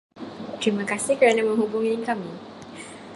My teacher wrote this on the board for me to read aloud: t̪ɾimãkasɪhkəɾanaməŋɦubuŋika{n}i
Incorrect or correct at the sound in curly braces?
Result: incorrect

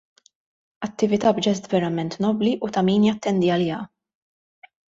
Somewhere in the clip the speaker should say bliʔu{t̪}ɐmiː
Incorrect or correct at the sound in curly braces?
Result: correct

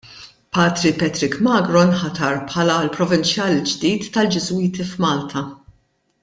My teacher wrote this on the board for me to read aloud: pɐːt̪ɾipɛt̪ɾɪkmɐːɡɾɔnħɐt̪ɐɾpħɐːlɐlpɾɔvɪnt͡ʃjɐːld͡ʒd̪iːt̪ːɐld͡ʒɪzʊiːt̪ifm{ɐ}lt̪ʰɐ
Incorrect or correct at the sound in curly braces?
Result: incorrect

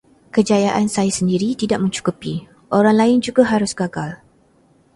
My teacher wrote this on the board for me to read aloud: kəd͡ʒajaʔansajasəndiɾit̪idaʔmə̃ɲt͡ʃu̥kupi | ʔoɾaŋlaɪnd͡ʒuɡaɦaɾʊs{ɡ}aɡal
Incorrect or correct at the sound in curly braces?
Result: correct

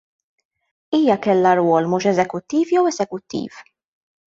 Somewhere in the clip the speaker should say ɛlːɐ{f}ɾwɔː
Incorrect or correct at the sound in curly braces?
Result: incorrect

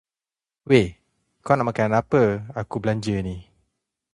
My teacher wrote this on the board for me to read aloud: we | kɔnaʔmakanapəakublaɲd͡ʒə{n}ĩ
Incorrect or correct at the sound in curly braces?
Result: correct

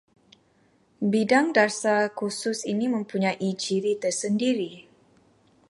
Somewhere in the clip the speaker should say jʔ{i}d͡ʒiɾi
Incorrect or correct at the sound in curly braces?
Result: correct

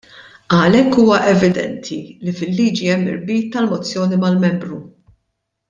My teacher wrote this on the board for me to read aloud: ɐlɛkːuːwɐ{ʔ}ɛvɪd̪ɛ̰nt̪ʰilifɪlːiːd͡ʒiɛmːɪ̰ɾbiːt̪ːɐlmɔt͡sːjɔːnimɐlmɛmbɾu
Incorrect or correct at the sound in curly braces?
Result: correct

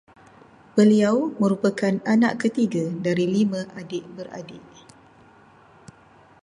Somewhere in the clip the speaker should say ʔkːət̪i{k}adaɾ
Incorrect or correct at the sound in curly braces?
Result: incorrect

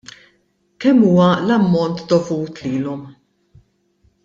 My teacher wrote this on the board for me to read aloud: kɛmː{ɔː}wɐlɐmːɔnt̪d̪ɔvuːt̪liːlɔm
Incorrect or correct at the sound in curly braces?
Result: incorrect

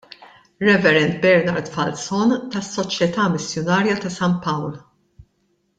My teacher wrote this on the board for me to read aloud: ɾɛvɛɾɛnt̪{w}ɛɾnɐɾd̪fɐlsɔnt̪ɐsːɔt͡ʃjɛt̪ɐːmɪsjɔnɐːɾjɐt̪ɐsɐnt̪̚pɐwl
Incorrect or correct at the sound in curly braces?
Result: incorrect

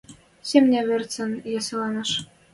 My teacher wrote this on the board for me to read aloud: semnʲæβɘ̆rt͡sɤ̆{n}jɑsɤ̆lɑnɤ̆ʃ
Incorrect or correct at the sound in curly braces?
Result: correct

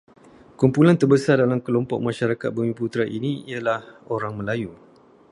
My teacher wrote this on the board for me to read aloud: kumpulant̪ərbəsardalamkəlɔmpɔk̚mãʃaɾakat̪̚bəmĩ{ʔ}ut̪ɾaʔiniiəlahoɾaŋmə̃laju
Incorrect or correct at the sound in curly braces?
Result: incorrect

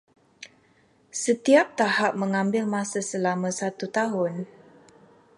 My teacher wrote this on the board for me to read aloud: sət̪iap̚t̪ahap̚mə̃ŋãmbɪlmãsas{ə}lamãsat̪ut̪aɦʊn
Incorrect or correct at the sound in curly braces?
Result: correct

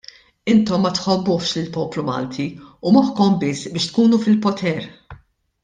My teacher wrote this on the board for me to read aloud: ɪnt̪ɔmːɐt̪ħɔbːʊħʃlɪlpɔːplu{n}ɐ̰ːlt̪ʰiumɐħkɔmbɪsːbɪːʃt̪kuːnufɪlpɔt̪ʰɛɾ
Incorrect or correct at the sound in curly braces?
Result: incorrect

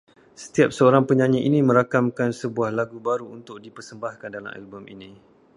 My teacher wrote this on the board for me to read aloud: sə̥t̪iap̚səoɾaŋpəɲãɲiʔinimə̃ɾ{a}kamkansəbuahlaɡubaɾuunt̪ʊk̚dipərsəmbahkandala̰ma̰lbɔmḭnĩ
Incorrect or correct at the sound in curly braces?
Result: correct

